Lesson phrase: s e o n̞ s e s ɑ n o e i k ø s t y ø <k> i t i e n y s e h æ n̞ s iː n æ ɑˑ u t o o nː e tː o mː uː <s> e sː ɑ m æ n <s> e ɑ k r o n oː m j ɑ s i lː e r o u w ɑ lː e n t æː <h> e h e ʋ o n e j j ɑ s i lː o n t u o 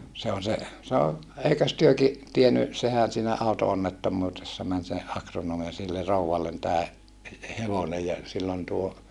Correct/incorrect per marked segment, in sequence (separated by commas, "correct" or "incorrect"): correct, incorrect, correct, correct